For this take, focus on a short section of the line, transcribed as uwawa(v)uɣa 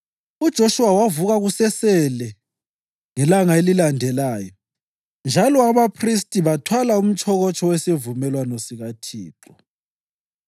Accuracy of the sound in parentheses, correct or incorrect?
correct